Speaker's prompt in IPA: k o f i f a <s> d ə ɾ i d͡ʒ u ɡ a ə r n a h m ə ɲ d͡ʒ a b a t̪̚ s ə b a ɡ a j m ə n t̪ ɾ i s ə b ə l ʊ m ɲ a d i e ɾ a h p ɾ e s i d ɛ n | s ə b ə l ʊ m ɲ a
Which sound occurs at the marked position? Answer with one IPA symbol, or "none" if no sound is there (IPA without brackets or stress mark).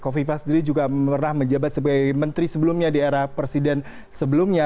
s